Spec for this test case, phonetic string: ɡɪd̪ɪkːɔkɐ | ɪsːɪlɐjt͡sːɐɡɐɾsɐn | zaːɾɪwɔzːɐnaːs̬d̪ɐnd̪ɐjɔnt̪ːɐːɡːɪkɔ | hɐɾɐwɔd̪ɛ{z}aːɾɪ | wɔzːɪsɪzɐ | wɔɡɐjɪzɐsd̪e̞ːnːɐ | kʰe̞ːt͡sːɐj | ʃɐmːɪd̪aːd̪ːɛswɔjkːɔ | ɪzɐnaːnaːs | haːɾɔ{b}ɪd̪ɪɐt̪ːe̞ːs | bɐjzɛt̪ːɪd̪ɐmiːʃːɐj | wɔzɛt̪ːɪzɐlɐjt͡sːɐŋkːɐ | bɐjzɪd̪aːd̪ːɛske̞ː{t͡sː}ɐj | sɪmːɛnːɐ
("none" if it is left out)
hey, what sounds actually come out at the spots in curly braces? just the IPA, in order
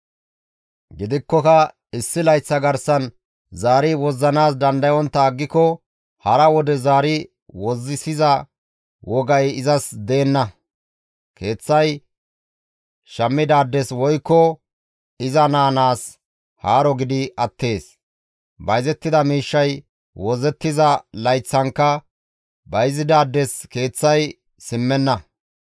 z, ɡ, t͡sː

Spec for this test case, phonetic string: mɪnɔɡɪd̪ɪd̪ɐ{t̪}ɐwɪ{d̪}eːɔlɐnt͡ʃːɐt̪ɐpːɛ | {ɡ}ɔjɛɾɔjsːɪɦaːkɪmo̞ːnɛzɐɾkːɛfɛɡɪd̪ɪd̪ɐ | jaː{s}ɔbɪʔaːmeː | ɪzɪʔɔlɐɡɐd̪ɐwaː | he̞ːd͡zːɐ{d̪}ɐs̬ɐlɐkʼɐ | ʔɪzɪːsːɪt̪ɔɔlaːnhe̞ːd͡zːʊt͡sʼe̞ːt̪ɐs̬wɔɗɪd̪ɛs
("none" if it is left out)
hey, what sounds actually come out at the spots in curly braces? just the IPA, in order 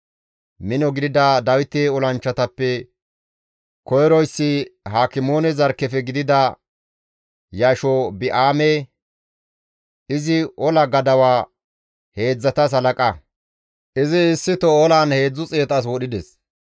d̪, t̪, k, ʃ, t̪

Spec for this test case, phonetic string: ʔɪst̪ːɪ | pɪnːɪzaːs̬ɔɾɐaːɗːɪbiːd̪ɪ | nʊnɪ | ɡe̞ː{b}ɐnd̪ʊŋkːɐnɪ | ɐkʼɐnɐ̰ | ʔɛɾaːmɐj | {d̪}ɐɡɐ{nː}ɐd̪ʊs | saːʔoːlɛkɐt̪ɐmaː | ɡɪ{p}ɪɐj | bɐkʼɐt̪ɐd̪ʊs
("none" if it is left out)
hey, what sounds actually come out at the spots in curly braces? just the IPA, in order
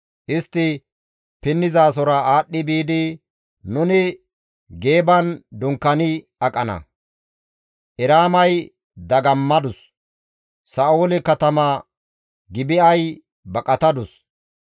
b, d̪, mː, b

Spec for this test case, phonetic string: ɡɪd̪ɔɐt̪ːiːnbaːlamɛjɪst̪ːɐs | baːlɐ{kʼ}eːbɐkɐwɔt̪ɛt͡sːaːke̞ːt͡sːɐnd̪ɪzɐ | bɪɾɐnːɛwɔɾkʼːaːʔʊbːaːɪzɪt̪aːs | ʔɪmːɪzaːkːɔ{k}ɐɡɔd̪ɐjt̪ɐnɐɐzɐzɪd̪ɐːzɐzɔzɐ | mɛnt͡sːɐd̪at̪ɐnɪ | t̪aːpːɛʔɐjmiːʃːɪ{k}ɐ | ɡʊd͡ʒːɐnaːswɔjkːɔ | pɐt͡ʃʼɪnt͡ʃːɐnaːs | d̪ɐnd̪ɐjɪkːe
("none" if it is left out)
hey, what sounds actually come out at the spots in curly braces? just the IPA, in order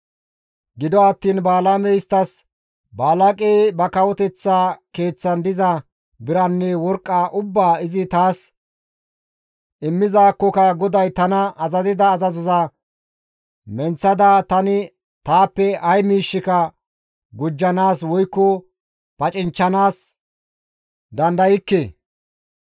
kʼ, k, k

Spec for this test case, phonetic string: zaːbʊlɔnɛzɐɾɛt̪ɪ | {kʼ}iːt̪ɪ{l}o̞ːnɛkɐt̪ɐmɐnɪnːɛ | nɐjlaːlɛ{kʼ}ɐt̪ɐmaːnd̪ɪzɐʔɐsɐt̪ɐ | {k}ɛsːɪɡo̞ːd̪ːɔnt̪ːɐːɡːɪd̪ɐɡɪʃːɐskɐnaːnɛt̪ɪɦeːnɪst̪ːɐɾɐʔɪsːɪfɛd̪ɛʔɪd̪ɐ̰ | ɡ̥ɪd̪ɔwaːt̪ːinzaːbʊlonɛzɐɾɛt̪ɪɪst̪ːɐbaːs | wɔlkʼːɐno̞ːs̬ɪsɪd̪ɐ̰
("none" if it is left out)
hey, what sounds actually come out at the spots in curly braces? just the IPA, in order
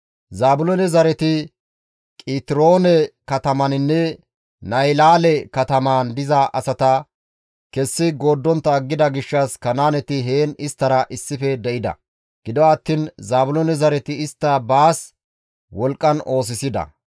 kʼ, ɾ, k, k

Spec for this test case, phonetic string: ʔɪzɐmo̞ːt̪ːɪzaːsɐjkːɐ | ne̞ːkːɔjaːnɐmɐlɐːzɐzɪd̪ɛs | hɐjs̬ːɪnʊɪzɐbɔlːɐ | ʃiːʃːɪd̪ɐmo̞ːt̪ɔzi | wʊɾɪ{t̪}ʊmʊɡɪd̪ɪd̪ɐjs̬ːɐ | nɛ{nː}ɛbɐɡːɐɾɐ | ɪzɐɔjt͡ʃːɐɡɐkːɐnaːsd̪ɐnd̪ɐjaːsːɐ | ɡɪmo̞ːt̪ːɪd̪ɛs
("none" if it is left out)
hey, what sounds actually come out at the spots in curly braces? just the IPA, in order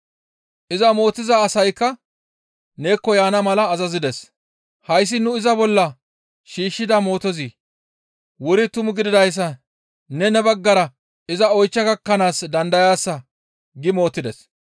t̪, n

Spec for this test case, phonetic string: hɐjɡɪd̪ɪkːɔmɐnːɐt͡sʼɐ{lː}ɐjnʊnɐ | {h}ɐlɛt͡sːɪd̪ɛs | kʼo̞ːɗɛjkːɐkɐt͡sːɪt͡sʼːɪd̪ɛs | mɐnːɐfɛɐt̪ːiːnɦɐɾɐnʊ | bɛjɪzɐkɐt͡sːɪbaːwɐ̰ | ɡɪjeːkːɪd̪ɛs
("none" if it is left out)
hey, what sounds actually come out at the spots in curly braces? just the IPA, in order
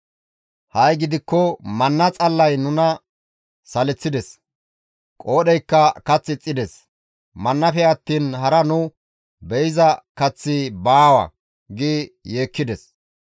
lː, s

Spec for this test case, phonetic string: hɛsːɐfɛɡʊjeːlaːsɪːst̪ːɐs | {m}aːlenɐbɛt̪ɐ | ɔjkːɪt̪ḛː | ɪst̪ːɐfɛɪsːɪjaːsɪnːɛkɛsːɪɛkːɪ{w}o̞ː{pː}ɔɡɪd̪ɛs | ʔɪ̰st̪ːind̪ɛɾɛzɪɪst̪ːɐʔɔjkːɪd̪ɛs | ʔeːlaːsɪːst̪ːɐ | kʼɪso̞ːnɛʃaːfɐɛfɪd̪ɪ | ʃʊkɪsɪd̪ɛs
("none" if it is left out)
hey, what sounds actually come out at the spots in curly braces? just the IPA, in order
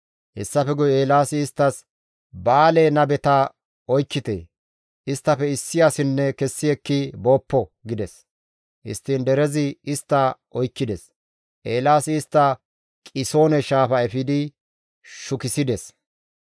b, b, pː

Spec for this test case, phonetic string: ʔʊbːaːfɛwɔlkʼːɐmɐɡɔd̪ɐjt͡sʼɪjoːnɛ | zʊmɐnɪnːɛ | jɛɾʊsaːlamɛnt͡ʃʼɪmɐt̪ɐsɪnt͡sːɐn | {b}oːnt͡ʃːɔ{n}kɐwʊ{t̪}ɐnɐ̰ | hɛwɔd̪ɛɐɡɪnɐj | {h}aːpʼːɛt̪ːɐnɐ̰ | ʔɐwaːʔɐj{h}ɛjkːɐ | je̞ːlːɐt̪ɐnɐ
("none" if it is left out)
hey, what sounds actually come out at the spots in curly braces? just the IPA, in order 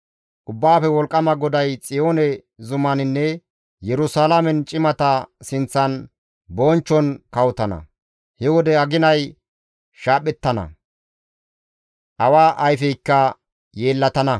b, n, t̪, ʃ, f

